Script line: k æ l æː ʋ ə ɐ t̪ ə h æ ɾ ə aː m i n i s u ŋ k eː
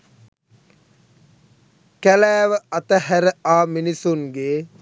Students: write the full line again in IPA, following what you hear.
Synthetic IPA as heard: k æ l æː ʋ ə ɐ t̪ ə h æ ɾ ə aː m i n i s u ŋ ɡ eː